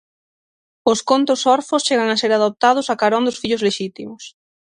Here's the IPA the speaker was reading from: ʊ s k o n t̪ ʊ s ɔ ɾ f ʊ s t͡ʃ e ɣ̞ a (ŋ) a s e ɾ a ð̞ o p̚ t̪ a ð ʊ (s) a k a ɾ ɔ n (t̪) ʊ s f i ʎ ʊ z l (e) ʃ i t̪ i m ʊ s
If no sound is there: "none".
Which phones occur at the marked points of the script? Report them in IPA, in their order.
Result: ŋ, s, d̪, e

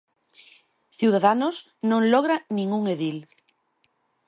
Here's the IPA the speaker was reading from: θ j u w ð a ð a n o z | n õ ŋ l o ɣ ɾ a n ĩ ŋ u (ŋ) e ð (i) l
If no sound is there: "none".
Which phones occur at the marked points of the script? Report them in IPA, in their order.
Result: ŋ, i

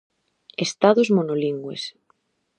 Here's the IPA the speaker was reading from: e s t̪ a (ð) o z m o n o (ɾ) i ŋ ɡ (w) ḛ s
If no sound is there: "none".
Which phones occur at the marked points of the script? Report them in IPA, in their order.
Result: ð, l, w

